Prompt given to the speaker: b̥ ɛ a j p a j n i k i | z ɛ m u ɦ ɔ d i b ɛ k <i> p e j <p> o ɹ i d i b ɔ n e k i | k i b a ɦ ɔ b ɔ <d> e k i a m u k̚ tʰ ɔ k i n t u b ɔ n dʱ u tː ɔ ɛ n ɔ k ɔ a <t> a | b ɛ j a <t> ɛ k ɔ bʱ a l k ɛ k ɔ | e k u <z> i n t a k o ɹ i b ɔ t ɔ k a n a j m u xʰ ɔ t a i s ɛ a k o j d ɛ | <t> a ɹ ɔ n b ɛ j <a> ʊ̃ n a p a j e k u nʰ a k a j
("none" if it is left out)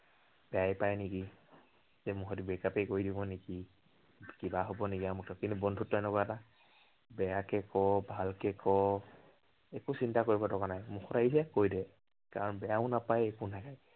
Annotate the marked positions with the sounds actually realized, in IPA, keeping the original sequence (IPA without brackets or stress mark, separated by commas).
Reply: a, k, n, t, k, s, k, a